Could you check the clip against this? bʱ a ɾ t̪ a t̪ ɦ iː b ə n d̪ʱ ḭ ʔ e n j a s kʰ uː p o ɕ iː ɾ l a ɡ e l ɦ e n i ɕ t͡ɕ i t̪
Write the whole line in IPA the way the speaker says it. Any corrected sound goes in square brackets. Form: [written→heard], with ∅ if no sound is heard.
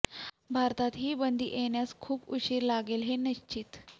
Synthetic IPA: bʱ a ɾ t̪ a t̪ ɦ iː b ə n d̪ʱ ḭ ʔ e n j a s kʰ uː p [o→u] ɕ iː ɾ l a ɡ e l ɦ e n i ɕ t͡ɕ i t̪